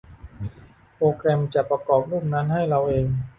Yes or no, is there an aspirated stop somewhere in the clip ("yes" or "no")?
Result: no